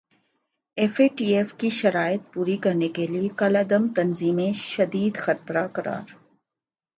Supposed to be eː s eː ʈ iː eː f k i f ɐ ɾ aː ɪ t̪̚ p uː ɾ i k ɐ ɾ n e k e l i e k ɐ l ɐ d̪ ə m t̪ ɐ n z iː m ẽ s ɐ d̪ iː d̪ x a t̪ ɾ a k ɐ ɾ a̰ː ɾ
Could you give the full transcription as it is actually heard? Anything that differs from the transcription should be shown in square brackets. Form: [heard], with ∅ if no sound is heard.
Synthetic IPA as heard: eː [f] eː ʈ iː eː f k i [ʃ] ɐ ɾ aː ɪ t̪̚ p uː ɾ i k ɐ ɾ n e k e l i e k ɐ l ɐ d̪ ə m t̪ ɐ n z iː m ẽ [ʃ] ɐ d̪ iː d̪ x [ɐ] t̪ ɾ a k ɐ ɾ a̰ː ɾ